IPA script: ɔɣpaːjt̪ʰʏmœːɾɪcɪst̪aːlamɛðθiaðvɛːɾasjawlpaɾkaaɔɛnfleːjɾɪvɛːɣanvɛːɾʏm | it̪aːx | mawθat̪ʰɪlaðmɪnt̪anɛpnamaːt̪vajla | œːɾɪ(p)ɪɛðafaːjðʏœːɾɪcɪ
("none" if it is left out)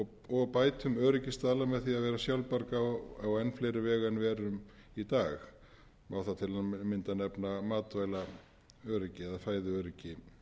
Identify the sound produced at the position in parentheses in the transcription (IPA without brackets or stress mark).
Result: c